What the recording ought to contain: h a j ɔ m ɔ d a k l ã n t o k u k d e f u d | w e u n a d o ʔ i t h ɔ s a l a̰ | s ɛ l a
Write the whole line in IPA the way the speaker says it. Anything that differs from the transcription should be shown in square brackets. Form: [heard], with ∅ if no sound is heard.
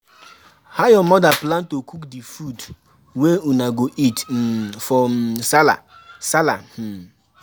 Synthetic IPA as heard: h a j ɔ m ɔ d a [p] l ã n t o k u k d [i] f u d | w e u n a [ɡ] o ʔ i t [f] ɔ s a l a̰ | s [a] l a